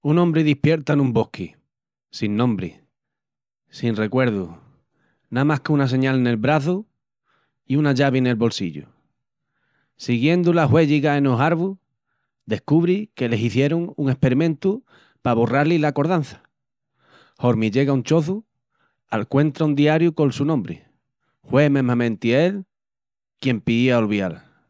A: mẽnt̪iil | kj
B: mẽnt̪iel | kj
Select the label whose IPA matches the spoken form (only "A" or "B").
B